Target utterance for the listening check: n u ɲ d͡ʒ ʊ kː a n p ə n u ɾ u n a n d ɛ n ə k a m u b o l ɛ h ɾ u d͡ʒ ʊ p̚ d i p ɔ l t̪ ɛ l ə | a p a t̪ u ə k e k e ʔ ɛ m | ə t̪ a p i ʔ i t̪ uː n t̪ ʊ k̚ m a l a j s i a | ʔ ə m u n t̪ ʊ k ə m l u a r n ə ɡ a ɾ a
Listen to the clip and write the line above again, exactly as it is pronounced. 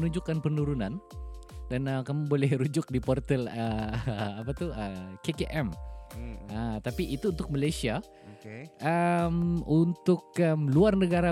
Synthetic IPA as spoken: n u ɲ d͡ʒ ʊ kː a n p ə n u ɾ u n a n d a n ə k a m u b o l ɛ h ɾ u d͡ʒ ʊ k̚ d i p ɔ r t̪ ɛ l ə | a p a t̪ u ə k e k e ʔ ɛ m | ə t̪ a p i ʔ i t̪ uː n t̪ ʊ k̚ m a l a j s i a | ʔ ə m u n t̪ ʊ k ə m l u a r n ə ɡ a ɾ a